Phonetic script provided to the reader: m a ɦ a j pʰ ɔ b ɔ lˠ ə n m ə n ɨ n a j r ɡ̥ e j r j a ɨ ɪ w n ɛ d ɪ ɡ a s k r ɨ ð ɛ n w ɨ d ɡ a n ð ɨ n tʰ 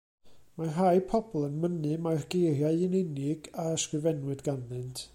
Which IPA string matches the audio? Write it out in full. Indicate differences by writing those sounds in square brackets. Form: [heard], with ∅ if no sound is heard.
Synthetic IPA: m a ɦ a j pʰ ɔ b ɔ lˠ ə n m ə n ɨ [m] a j r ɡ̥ e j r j a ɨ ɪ [∅] n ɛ [n] ɪ ɡ a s k r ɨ [v] ɛ n w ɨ d ɡ a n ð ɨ n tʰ